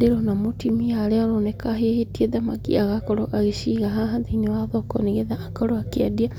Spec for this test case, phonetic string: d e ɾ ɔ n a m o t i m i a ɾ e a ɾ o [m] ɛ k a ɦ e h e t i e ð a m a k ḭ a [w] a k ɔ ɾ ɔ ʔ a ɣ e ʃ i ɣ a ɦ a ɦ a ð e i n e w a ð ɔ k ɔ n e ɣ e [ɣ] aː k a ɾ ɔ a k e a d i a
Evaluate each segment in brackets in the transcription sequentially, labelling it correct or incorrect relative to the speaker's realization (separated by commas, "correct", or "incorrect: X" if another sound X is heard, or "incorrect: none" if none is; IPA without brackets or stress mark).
incorrect: n, incorrect: ɣ, incorrect: ð